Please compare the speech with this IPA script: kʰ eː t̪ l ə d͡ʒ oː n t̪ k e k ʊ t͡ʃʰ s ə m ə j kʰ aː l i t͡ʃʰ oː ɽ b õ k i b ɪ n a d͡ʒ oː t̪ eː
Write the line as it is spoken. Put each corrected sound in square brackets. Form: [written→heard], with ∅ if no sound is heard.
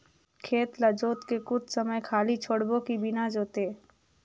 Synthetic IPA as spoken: kʰ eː t̪ l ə d͡ʒ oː [n→∅] t̪ k e k ʊ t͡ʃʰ s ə m ə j kʰ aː l i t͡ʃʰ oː ɽ b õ k i b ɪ n a d͡ʒ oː t̪ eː